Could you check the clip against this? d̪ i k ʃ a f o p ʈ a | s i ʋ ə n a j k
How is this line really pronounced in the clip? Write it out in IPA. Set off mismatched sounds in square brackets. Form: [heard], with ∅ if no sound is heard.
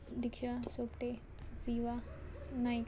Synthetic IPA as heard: d̪ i k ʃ a [s] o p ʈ [e] | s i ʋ [a] n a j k